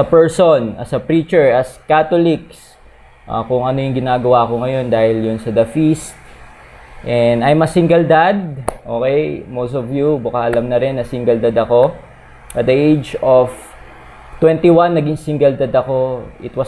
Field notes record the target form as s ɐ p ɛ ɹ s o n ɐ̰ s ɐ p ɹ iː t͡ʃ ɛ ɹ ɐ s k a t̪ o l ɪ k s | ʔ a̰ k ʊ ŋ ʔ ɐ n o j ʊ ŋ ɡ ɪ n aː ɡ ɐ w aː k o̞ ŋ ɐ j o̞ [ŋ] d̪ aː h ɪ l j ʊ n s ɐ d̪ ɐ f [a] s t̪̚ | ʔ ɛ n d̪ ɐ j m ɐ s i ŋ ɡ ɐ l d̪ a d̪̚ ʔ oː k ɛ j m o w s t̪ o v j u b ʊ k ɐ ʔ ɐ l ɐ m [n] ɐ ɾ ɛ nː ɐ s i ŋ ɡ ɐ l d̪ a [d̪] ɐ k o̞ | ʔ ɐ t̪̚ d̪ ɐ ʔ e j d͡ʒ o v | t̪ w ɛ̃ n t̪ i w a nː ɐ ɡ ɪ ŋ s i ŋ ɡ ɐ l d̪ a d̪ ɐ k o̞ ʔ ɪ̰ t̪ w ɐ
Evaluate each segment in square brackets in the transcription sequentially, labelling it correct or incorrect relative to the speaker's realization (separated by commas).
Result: incorrect, incorrect, correct, correct